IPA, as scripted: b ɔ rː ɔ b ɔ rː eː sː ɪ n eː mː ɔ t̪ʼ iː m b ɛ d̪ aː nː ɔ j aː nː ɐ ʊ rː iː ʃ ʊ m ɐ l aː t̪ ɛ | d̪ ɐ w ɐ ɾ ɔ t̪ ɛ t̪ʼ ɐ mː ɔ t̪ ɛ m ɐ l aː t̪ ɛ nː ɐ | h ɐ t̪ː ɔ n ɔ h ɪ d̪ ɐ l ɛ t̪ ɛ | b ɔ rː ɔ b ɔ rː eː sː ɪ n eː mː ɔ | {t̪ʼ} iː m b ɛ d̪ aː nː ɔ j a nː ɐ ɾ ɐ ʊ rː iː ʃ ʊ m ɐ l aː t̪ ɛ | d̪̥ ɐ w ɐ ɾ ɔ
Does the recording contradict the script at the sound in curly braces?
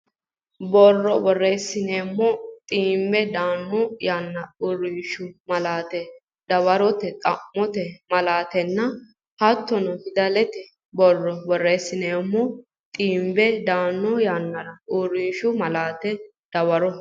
no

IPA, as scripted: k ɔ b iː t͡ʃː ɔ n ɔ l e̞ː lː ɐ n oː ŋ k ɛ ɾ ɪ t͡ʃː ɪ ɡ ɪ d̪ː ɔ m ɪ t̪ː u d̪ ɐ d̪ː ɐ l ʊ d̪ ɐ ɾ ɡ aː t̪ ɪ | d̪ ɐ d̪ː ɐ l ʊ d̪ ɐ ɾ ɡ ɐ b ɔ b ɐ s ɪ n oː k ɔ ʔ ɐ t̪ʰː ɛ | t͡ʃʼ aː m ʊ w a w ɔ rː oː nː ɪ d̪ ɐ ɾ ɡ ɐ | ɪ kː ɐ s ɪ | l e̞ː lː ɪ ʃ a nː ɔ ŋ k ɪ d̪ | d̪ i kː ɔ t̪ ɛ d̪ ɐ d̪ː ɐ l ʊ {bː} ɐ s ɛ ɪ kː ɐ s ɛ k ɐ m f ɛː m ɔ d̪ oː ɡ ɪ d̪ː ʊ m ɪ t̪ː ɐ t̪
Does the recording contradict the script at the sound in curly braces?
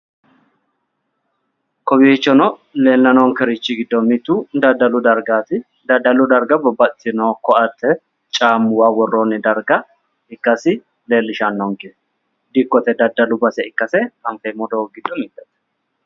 yes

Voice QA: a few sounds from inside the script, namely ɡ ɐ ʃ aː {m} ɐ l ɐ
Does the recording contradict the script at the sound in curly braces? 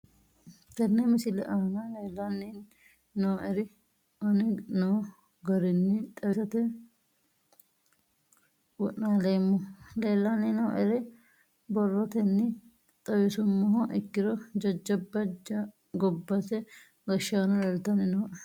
yes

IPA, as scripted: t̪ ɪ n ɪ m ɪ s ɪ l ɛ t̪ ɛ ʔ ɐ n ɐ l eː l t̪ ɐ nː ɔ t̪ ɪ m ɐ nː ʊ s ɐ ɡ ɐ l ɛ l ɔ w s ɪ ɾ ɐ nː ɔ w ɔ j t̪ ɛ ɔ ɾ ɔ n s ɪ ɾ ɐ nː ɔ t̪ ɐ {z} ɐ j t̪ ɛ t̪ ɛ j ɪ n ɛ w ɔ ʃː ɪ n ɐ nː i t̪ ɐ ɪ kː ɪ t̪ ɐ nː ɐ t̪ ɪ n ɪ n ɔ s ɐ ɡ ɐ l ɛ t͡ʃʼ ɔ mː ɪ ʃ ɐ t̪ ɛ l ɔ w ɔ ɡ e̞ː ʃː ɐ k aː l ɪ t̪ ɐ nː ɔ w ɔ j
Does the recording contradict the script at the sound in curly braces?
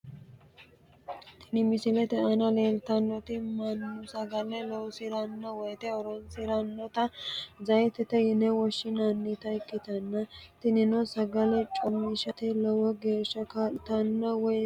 no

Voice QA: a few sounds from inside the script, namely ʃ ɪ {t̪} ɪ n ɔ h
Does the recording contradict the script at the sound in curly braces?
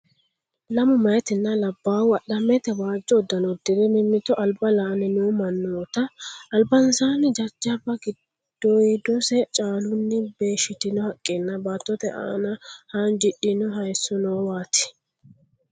no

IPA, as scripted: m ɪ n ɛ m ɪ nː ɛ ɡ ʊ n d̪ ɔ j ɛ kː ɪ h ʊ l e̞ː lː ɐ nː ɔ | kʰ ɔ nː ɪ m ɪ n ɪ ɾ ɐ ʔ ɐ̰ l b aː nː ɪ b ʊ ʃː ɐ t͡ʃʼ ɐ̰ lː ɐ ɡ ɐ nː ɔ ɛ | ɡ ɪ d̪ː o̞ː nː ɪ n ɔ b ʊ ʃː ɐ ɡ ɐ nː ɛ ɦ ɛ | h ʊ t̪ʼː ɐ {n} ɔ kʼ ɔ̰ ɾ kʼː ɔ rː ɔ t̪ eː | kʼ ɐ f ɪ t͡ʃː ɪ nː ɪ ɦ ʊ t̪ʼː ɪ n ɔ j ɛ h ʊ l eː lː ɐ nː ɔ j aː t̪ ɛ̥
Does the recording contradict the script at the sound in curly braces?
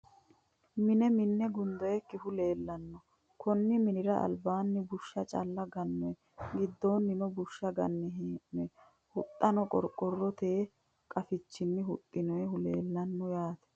no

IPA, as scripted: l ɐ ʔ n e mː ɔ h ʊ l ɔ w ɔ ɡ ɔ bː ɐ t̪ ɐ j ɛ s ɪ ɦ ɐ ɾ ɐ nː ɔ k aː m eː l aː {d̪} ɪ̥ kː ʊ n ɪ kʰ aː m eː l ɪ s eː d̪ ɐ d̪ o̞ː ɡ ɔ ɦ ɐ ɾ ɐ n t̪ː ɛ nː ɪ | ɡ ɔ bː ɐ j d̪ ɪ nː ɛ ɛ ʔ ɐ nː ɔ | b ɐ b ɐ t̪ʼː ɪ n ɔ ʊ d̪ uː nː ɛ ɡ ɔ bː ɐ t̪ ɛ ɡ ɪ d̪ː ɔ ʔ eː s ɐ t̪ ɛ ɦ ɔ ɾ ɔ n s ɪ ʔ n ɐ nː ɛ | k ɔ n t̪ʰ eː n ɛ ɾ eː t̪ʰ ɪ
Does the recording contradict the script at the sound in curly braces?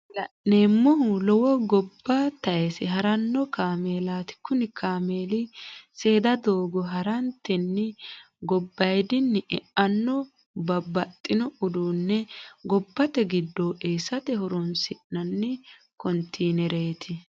yes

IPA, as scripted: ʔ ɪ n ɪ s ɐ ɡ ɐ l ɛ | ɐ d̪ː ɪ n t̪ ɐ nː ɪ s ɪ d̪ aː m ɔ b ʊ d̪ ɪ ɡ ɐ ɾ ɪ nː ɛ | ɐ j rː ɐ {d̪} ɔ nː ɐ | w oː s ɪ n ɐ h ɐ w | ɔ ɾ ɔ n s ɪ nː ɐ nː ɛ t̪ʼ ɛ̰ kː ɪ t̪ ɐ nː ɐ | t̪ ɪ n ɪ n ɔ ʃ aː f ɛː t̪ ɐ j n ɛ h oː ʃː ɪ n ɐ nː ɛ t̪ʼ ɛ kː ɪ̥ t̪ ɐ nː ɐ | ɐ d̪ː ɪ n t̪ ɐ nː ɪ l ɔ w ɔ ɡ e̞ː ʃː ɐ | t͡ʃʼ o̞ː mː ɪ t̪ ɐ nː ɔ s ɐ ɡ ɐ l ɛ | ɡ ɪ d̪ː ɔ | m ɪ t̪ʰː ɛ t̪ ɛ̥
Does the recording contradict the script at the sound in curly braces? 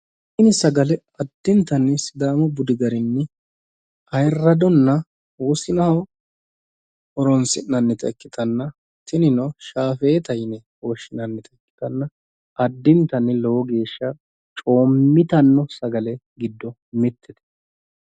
no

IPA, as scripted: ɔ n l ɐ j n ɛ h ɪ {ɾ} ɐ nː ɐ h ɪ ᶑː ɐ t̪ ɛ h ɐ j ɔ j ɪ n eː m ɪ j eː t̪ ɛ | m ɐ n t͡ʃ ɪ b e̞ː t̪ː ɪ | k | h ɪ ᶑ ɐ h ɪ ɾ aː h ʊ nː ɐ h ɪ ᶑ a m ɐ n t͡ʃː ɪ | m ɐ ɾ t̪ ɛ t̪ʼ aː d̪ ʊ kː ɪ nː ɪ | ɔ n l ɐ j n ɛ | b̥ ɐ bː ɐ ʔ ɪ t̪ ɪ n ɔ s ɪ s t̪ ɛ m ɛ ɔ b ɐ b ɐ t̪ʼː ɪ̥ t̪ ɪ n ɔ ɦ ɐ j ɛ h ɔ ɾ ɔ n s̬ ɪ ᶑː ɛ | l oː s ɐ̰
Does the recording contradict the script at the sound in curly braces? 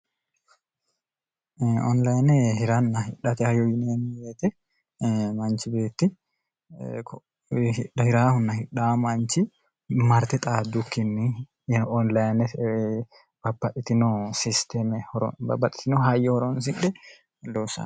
no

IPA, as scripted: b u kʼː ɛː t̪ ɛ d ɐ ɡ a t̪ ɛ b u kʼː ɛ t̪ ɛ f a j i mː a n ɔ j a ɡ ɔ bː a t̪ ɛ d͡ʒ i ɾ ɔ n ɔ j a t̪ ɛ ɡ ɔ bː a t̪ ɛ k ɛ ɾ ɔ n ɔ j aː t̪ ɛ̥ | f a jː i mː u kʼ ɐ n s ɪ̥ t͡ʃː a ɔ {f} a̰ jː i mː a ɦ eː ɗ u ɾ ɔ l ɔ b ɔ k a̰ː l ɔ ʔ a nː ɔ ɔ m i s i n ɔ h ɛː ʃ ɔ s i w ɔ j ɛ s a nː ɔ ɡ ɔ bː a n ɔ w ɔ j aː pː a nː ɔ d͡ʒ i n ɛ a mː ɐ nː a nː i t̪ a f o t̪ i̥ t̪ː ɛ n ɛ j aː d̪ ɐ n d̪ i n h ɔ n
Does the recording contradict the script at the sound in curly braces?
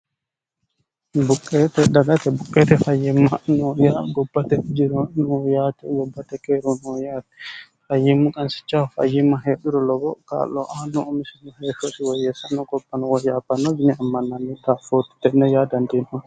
no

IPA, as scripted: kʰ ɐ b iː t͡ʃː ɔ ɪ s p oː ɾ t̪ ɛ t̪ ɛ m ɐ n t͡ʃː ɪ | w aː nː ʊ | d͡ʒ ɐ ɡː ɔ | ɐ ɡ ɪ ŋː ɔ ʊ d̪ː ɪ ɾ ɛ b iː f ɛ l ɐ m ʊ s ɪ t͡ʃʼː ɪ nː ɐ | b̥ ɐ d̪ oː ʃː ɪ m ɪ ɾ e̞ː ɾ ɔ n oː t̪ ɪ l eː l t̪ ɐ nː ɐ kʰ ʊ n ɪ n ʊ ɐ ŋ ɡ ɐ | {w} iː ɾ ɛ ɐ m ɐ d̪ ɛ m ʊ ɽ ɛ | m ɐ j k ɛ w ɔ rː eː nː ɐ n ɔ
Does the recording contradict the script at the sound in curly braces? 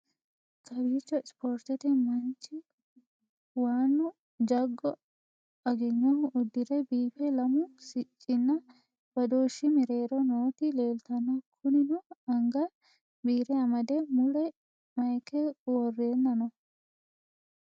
yes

